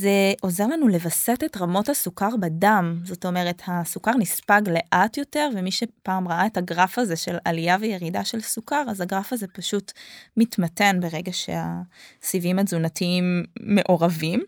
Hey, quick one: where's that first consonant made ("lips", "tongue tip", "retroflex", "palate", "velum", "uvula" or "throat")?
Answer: tongue tip